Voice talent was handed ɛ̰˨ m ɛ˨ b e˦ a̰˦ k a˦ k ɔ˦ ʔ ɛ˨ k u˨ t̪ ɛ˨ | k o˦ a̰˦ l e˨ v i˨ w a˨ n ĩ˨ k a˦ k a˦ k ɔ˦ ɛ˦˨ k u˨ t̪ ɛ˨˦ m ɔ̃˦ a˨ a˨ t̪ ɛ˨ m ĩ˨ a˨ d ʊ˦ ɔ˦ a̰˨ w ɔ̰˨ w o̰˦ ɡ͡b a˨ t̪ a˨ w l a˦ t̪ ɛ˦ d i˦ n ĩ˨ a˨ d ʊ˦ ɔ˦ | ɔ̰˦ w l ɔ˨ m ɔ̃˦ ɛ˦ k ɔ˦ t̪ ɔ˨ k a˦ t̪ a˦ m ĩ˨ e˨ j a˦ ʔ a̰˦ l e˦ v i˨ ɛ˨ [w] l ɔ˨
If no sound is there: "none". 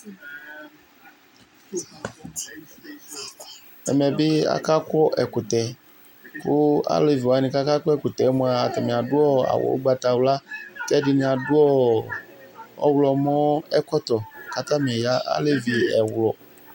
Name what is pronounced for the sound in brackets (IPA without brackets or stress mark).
w